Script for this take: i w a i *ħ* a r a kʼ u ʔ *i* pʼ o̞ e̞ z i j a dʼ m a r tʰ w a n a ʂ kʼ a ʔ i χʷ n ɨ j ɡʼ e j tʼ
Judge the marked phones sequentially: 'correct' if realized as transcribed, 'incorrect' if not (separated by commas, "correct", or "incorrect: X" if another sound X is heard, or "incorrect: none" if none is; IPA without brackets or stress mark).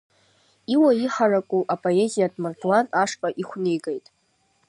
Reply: correct, incorrect: a